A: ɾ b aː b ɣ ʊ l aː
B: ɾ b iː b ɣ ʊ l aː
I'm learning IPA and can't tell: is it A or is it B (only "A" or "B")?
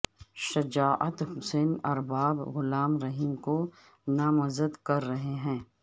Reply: A